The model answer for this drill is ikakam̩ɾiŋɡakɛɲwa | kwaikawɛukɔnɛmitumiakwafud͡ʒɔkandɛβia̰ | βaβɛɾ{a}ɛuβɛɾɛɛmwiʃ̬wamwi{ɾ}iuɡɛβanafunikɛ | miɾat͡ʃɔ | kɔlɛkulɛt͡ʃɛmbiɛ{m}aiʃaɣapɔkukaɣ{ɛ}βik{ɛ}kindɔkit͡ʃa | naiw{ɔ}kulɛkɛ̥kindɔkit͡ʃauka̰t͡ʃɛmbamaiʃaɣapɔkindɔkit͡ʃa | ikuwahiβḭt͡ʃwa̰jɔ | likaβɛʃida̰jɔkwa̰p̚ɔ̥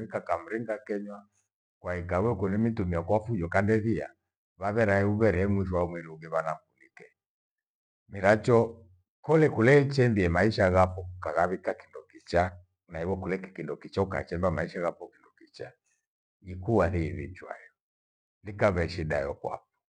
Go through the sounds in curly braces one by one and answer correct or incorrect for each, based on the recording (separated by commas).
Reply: correct, correct, correct, incorrect, incorrect, correct